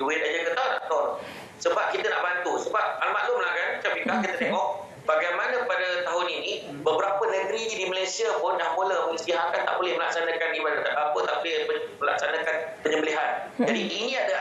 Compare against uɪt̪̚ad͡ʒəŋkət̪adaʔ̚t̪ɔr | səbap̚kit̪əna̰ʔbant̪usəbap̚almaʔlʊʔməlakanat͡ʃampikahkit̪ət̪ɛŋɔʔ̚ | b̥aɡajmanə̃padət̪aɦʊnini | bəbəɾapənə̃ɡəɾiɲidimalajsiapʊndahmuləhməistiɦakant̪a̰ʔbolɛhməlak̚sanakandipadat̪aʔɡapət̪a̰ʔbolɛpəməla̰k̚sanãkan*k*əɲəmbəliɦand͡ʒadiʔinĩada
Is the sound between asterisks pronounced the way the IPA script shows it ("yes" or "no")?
no